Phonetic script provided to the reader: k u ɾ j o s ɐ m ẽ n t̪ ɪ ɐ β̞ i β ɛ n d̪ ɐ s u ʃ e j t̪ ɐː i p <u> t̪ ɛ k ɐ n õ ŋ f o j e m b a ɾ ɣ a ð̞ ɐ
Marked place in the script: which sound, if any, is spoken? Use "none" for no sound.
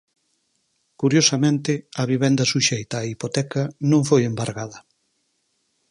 o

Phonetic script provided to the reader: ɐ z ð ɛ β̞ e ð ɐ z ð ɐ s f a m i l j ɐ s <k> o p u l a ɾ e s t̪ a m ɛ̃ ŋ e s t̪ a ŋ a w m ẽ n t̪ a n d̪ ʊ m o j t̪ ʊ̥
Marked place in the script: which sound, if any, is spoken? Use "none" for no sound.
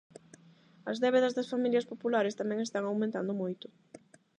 p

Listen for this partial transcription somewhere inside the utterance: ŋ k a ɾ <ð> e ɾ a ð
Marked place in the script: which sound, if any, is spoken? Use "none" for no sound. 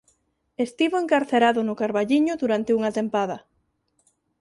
θ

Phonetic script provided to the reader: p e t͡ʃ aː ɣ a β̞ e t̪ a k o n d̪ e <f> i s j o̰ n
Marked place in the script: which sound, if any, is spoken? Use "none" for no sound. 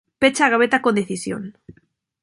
θ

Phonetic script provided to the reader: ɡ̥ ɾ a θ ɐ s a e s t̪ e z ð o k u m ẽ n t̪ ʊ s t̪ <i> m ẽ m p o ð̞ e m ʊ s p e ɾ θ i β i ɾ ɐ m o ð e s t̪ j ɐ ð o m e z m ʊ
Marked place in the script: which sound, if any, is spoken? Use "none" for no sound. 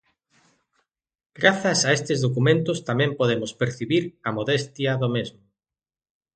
a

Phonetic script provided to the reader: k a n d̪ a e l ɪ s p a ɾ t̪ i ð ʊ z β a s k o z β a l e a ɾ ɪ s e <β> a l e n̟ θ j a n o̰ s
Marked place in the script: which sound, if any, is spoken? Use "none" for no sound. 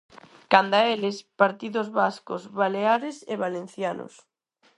β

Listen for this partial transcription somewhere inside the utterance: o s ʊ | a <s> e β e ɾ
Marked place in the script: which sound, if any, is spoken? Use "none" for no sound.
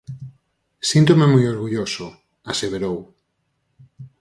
s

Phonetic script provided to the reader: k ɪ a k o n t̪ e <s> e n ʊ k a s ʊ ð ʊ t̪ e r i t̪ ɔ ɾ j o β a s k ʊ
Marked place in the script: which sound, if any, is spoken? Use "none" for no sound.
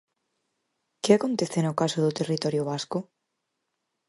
θ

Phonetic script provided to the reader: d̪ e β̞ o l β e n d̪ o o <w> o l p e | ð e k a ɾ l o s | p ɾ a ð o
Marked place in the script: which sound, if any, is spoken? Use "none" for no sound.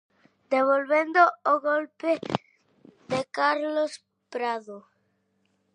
ɣ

